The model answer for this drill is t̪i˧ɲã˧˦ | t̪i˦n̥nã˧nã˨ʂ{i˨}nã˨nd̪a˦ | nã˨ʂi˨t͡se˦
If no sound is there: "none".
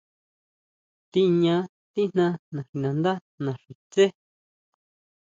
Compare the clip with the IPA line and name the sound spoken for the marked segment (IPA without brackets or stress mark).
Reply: i˨